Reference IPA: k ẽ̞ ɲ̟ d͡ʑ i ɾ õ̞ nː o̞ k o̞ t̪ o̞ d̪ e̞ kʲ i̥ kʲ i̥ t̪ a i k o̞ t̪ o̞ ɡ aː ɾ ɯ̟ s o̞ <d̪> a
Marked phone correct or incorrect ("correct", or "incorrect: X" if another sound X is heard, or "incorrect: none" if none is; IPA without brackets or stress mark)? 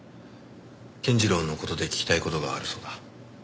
correct